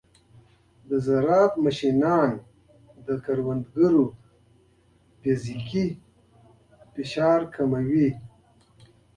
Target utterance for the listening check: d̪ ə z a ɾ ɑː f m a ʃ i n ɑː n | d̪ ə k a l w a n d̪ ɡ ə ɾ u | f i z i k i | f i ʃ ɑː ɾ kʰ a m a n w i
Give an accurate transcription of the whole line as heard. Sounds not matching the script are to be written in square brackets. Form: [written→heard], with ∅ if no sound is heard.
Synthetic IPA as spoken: d̪ ə z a ɾ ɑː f m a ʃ i n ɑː n | d̪ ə k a [l→ɾ] w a n d̪ ɡ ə ɾ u | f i z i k i | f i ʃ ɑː ɾ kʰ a m a [n→∅] w i